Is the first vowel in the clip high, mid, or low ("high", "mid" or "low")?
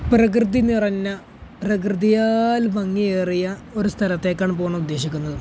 low